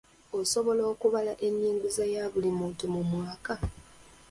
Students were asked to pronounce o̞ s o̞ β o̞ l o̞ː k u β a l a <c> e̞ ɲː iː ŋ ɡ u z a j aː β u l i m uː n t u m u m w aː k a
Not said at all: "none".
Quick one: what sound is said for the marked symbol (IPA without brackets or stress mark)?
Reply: ʔ